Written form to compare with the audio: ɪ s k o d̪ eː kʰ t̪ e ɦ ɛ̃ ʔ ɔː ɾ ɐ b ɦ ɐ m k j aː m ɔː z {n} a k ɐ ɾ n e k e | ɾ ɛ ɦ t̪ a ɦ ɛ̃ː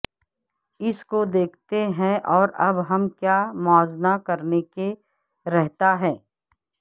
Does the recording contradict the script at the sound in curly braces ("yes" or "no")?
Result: no